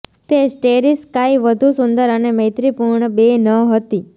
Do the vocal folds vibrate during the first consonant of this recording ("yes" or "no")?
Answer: no